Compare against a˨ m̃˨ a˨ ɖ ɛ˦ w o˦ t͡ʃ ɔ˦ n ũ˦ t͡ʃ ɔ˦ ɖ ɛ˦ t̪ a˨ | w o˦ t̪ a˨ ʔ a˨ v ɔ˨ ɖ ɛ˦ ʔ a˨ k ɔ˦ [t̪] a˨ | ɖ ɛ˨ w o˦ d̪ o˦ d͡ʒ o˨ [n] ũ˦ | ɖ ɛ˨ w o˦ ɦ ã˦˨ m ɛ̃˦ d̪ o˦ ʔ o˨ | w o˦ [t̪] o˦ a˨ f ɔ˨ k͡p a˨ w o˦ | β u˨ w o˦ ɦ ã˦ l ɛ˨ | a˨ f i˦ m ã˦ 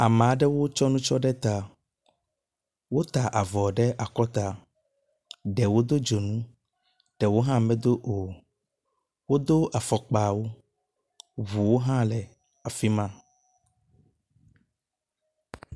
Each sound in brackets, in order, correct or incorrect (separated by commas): correct, correct, incorrect